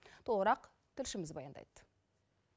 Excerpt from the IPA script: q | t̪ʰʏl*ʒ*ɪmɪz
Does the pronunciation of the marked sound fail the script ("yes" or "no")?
yes